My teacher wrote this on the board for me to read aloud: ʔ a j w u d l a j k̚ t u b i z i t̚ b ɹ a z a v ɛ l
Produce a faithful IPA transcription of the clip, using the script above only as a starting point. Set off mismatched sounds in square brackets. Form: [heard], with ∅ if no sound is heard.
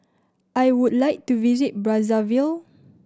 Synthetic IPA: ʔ a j w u d l a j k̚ t u [v] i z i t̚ b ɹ a z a v [i] l

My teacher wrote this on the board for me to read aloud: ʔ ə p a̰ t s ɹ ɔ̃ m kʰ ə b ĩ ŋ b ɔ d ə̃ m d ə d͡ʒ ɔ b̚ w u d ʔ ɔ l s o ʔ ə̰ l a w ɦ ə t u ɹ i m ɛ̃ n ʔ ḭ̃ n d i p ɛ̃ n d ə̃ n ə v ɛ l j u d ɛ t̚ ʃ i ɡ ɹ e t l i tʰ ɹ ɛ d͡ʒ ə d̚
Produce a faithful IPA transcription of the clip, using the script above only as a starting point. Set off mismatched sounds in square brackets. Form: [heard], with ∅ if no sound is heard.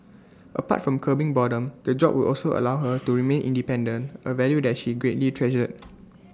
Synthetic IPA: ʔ ə p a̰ t [f] ɹ ɔ̃ m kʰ ə b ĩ ŋ b ɔ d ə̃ m d ə d͡ʒ ɔ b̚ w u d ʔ ɔ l s o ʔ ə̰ l a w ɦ ə t u ɹ i m [ẽ] n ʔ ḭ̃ n d i p ɛ̃ n d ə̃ n ə v ɛ l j u d ɛ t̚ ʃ i ɡ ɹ e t l i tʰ ɹ ɛ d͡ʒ ə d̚

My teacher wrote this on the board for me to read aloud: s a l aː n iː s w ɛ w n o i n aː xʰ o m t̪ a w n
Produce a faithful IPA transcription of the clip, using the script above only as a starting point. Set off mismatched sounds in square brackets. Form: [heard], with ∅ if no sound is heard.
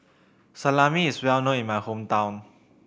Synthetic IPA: s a l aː [m] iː s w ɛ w n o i [m] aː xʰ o m t̪ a w n

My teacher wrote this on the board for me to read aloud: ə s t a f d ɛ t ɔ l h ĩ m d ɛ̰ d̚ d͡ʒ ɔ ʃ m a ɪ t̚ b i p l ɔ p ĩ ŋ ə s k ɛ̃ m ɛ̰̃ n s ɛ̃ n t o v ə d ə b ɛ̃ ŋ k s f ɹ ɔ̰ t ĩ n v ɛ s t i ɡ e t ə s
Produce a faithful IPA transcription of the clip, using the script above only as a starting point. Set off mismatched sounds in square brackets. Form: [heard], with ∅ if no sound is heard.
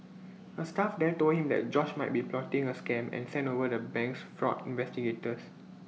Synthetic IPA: ə s t a f d ɛ t [o] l h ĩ m d ɛ̰ [t̚] d͡ʒ ɔ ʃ m a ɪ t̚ b i p l ɔ [t] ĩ ŋ ə s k ɛ̃ m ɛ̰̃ n s ɛ̃ n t o v ə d ə b ɛ̃ ŋ k s f ɹ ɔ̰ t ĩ n v ɛ s t i ɡ e t ə s

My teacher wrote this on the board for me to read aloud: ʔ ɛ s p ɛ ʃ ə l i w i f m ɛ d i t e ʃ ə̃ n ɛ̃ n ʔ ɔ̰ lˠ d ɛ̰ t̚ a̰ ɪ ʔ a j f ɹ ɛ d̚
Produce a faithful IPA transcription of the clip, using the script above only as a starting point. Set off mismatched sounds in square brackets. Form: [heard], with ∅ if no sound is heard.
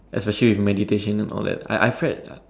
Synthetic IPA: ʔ ɛ s p ɛ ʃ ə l i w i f m ɛ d i t e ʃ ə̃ n ɛ̃ n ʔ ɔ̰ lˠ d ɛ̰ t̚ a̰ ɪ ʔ a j f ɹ ɛ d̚

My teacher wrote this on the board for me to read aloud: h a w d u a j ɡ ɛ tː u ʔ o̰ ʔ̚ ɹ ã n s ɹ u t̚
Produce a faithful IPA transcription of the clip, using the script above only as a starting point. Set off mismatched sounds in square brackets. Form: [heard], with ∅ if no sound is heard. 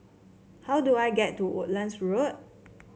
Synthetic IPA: h a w d u a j ɡ ɛ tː u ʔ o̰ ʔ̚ [l] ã n s ɹ [o] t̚

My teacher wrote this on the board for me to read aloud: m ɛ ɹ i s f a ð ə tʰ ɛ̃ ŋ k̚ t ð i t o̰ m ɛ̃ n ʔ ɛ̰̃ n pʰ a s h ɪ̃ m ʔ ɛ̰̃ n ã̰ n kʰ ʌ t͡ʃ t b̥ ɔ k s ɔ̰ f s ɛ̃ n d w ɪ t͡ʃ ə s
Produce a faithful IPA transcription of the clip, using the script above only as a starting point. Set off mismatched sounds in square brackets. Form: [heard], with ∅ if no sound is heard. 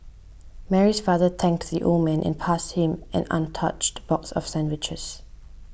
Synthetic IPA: m ɛ ɹ i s f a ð ə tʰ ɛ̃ ŋ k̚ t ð i [ʔ] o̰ m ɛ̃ n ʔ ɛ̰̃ n pʰ a s h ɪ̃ m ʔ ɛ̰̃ n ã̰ n [tʰ] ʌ t͡ʃ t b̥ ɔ k s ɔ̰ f s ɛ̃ n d w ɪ t͡ʃ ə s

